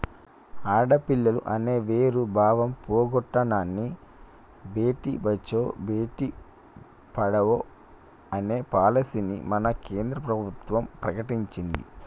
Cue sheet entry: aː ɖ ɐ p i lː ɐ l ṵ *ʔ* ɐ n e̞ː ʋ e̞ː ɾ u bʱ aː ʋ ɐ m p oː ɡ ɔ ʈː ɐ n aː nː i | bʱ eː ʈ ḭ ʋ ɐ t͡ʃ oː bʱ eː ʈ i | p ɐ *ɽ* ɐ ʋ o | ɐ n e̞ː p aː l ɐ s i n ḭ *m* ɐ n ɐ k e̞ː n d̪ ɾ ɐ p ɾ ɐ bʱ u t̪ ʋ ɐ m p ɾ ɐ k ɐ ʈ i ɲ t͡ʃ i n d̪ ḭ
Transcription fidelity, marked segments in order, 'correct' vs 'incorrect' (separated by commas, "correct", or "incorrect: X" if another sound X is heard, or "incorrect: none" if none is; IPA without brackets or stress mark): correct, correct, correct